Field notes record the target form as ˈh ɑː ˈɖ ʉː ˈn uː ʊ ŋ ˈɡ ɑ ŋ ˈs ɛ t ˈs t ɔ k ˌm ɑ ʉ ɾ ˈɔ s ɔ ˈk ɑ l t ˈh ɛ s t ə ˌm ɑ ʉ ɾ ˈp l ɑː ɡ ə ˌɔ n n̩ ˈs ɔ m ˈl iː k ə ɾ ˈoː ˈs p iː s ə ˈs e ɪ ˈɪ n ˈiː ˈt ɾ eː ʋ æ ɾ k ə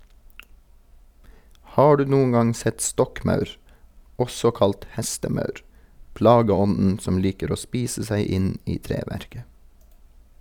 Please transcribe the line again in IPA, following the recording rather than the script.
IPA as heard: ˈh ɑː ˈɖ ʉː ˈn uː ʊ ŋ ˈɡ ɑ ŋ ˈs ɛ t ˈs t ɔ k ˌm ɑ ʉ ɾ ˈɔ s ɔ ˈk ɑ l t ˈh ɛ s t ə ˌm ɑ ʉ ɾ ˈp l ɑː ɡ ə ˌɔ n n̩ ˈs ɔ m ˈl iː k ə ɾ ˈoː ˈs p iː s ə ˈs æ ɪ ˈɪ n ˈiː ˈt ɾ eː ʋ æ ɾ k ə